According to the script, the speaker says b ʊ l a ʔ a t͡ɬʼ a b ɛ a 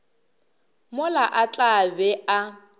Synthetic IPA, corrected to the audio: m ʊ l a ʔ a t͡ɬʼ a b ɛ a